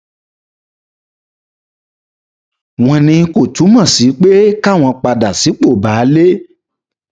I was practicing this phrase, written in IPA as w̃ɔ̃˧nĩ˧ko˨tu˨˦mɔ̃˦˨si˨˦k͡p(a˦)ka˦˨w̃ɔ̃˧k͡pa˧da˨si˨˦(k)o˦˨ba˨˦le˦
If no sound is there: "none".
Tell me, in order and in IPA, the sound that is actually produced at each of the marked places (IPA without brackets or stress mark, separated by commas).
e˦, k͡p